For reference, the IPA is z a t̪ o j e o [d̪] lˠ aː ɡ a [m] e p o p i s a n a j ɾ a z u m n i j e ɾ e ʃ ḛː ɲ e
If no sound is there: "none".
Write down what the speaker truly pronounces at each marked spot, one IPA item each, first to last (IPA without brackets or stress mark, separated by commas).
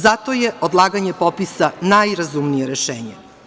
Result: d̪, ɲ